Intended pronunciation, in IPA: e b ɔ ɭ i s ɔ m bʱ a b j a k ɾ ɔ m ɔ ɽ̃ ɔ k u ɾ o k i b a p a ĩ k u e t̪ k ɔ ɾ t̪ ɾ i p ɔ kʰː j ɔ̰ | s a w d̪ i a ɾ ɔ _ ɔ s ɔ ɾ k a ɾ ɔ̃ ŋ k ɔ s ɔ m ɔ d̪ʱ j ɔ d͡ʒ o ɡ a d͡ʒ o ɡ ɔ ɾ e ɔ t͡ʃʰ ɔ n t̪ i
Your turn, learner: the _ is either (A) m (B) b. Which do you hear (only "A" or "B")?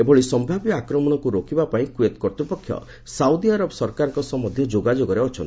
B